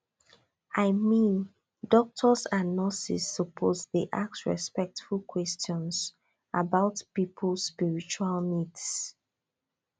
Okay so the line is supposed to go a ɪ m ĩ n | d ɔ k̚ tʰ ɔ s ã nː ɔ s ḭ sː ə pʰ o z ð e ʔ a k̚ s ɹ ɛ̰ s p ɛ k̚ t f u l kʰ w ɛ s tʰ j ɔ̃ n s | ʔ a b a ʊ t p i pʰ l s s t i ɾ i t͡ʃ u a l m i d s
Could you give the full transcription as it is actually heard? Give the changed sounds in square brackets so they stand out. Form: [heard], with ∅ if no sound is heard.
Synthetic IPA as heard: a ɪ m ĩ n | d ɔ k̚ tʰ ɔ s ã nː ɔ s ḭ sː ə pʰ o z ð e ʔ a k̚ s ɹ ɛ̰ s p ɛ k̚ t f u l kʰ w ɛ s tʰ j ɔ̃ n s | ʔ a b a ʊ t p i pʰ l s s [p] i [ɹ] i t͡ʃ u a l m i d s